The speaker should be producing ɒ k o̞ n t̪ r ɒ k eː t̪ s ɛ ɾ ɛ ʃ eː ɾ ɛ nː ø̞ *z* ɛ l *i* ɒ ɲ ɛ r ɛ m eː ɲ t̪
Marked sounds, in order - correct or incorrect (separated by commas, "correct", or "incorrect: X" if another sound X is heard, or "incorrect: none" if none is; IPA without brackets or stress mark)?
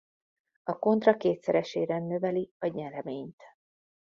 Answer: incorrect: v, correct